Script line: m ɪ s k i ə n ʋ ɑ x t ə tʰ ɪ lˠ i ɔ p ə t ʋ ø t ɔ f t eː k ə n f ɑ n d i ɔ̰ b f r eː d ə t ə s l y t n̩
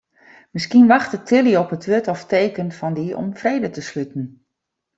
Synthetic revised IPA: m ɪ s k i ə n ʋ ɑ x t ə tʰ ɪ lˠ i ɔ p ə t ʋ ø t ɔ f t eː k ə n f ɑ n d i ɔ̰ m f r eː d ə t ə s l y t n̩